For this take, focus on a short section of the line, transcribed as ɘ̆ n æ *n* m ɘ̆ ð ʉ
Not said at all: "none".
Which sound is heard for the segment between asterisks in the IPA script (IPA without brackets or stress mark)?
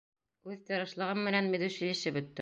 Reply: n